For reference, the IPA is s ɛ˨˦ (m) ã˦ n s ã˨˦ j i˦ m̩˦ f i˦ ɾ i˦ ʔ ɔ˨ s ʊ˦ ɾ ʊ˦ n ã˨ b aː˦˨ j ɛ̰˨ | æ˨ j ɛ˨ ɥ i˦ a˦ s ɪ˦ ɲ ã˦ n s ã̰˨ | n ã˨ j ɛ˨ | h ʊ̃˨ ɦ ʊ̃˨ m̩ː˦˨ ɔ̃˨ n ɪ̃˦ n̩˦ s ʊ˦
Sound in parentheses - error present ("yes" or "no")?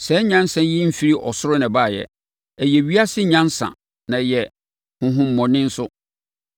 yes